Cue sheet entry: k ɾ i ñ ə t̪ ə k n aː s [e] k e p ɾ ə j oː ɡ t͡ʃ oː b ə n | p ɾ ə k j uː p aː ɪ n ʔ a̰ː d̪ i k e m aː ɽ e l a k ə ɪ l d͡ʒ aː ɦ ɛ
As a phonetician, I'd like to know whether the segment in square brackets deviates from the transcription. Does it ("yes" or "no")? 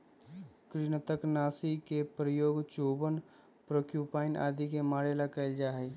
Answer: yes